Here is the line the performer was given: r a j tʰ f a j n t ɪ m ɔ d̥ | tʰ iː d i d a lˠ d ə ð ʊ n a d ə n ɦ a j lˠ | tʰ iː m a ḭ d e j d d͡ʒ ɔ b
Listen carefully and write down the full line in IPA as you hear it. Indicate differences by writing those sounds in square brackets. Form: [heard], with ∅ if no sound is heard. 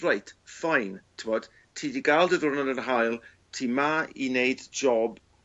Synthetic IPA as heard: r a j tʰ f a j n [tʰ] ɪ m ɔ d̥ | tʰ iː d i [ɡ] a lˠ d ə ð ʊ n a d ə n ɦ a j lˠ | tʰ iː m a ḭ [n] e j d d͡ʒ ɔ b